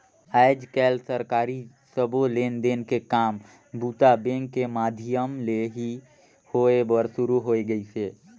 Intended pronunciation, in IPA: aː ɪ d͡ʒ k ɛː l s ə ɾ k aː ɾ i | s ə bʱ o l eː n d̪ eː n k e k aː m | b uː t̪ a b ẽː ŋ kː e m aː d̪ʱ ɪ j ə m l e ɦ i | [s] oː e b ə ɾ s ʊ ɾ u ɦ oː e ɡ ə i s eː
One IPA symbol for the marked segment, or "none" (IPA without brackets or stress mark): h